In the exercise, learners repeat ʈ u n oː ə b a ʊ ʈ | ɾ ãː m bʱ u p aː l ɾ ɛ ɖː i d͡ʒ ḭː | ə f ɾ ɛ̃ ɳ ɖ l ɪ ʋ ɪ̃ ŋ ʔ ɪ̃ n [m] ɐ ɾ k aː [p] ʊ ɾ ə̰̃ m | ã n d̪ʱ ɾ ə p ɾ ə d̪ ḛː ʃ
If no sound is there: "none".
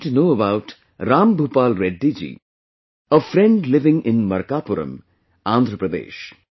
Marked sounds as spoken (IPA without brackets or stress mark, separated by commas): m, p